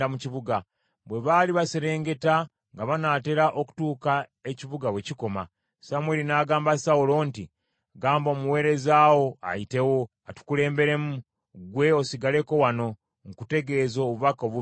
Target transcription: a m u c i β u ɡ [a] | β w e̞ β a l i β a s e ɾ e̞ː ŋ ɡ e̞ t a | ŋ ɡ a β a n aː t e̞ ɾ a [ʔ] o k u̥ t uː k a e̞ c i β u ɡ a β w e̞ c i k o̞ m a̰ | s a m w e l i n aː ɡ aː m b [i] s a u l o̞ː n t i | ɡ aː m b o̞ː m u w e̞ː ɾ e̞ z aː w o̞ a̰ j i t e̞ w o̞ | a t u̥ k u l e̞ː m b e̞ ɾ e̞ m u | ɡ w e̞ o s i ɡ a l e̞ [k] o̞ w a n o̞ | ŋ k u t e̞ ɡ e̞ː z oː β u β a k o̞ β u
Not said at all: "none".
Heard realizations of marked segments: a, ʔ, a, k

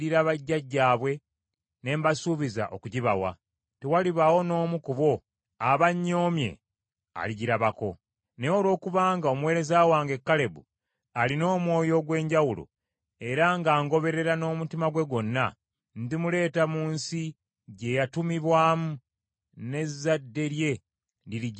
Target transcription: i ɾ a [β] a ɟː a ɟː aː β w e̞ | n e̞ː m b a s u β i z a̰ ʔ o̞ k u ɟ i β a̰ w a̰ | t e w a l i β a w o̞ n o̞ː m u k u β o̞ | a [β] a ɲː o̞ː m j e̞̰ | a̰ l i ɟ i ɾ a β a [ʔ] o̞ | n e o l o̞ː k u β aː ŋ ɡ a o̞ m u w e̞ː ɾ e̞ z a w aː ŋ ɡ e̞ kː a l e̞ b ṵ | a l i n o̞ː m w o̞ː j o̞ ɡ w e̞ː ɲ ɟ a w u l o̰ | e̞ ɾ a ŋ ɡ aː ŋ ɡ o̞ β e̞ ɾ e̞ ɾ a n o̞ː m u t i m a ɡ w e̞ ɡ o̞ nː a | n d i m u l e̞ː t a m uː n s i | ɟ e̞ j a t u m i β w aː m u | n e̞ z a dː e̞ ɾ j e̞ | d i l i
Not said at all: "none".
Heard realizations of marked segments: β, β, k

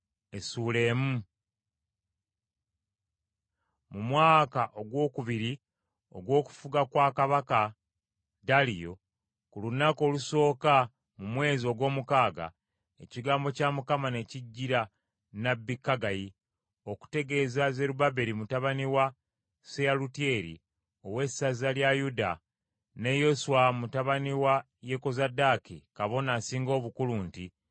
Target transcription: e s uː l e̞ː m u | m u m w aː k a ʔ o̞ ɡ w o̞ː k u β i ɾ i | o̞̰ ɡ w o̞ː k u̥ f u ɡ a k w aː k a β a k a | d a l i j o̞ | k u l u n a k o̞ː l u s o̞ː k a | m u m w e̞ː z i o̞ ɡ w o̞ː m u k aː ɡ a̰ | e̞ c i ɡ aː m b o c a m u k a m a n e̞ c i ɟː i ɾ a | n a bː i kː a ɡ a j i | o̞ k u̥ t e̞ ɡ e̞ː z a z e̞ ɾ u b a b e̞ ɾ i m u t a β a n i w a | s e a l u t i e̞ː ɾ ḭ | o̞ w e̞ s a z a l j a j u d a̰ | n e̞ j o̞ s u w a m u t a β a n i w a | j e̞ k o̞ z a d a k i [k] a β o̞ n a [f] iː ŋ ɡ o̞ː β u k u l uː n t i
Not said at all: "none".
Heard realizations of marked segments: k, s

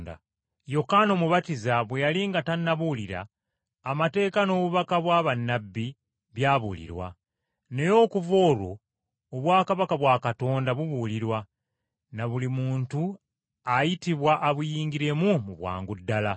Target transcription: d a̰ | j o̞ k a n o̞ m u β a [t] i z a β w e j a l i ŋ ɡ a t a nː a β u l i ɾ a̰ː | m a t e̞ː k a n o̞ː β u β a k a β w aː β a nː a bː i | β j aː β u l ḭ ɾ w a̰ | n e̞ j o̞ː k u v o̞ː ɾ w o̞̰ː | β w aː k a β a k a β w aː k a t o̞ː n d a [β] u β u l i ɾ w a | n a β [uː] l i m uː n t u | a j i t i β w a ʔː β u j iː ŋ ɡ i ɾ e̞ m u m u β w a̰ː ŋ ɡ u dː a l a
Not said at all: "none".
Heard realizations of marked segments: t, β, u

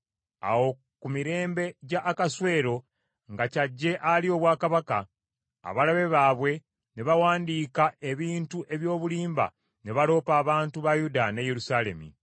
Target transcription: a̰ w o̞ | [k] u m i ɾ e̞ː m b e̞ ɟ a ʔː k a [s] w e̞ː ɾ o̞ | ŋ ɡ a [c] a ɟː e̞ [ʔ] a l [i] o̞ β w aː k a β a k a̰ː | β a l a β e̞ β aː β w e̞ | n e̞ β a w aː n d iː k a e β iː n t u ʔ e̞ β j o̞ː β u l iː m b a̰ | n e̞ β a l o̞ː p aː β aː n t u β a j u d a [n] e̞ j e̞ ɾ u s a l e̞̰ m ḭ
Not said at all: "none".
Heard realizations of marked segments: k, s, c, ʔ, i, n

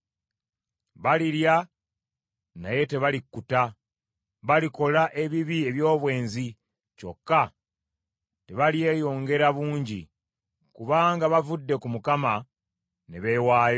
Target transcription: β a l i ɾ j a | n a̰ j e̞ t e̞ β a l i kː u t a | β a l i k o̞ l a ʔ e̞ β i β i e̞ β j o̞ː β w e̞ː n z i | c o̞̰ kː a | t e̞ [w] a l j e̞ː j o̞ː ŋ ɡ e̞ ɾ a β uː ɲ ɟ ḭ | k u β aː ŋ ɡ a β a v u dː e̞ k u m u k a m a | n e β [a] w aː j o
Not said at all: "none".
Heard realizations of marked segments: β, e

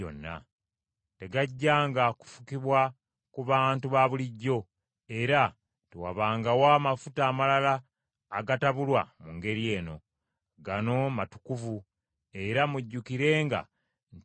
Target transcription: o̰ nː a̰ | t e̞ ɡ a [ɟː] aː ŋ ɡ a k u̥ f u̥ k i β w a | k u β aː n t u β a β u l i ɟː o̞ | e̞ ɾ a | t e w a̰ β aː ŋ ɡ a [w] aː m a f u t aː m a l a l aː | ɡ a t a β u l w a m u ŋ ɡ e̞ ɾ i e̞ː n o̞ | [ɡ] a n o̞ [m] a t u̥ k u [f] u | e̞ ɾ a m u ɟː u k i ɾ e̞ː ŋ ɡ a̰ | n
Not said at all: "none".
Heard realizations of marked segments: ɟː, w, ɡ, m, v

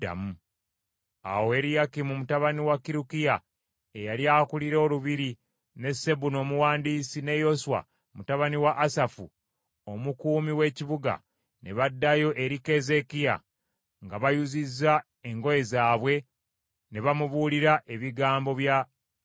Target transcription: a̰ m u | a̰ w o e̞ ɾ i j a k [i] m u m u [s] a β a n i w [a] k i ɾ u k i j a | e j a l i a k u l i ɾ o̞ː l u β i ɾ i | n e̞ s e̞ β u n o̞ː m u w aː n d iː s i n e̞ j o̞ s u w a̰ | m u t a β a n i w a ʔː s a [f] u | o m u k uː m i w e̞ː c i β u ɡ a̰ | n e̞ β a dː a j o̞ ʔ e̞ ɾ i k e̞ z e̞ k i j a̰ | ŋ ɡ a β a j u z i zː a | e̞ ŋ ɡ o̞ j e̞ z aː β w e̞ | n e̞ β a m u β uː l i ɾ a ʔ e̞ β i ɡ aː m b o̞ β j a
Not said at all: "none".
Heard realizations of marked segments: i, t, a, f

